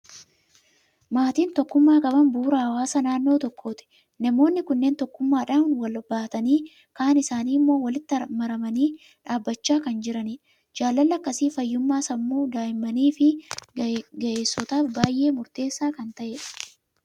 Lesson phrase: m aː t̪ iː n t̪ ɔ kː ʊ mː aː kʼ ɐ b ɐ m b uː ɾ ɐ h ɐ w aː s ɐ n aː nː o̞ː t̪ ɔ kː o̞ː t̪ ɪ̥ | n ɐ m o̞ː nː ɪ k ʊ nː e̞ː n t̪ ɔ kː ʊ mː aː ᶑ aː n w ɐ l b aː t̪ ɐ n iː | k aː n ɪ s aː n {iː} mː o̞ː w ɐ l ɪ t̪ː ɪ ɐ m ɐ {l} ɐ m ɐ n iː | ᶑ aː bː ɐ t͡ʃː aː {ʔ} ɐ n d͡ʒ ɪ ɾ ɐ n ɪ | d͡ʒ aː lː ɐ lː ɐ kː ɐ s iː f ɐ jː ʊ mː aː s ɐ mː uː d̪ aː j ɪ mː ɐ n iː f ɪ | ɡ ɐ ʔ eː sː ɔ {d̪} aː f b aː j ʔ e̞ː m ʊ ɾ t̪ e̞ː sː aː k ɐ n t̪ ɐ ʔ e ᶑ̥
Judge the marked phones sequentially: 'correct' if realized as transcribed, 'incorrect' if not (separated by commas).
correct, incorrect, incorrect, incorrect